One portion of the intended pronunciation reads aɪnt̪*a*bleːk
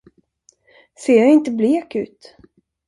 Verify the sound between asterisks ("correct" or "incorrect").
incorrect